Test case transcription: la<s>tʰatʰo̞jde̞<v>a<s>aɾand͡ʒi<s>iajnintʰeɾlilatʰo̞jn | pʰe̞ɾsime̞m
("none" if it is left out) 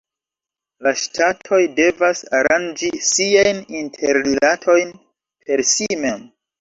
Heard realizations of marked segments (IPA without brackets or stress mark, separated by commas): ʃ, v, s, s